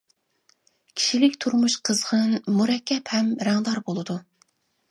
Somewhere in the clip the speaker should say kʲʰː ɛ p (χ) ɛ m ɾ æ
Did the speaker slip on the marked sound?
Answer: yes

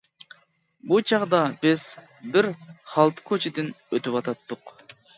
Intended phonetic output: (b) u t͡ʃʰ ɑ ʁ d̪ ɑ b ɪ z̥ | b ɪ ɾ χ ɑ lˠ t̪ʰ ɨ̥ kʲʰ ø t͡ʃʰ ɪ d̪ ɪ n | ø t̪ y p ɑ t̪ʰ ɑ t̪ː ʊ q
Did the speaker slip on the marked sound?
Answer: no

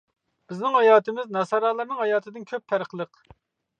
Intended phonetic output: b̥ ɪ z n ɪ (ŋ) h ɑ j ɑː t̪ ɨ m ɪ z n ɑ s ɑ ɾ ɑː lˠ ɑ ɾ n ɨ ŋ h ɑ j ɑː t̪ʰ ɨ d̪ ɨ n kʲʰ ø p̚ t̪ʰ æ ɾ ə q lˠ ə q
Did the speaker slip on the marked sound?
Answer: no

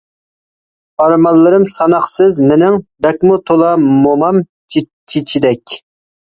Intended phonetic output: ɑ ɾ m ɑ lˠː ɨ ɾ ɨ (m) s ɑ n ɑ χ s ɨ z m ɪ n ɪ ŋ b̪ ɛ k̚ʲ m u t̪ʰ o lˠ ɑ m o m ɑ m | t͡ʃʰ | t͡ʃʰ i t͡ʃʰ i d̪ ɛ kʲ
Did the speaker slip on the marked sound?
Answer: no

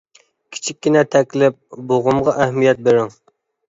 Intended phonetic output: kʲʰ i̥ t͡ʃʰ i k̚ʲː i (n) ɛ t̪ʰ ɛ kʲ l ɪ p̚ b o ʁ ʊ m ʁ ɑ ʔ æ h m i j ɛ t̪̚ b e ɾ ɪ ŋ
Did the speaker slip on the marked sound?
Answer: no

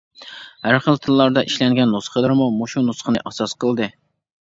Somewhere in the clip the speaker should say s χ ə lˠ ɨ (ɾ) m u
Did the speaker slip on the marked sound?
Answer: no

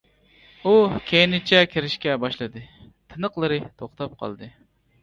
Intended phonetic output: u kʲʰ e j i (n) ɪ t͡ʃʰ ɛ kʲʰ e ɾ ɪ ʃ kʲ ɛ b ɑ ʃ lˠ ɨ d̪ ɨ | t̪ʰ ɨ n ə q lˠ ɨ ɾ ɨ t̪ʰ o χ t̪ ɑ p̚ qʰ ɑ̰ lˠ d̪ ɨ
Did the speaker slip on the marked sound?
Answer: no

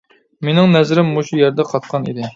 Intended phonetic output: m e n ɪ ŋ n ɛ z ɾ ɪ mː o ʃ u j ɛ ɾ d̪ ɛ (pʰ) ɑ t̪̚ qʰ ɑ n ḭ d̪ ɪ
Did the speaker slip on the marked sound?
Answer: yes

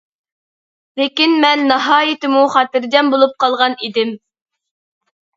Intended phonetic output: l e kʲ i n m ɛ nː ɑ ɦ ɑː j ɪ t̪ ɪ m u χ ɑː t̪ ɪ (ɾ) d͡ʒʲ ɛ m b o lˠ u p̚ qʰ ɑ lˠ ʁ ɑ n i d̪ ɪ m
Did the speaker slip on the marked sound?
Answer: no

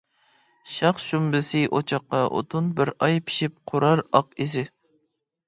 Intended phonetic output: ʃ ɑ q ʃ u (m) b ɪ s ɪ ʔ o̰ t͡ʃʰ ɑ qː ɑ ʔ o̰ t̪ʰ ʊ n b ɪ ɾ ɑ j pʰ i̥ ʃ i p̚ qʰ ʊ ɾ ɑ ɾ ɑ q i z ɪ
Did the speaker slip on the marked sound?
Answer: no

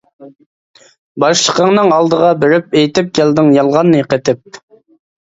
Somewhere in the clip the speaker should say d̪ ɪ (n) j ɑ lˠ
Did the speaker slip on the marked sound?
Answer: yes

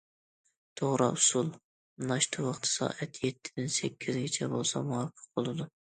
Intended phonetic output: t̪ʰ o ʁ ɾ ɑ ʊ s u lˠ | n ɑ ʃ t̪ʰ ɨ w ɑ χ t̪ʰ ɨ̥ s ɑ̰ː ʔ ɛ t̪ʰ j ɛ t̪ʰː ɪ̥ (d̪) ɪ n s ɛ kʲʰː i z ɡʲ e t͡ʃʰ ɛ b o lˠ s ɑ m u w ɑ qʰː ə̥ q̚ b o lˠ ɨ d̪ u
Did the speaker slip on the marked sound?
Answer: no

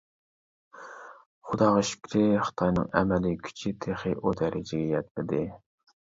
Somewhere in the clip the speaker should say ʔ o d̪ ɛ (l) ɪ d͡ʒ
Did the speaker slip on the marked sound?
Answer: yes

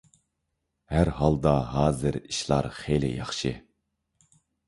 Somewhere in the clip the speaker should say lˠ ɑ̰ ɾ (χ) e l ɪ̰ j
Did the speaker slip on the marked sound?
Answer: no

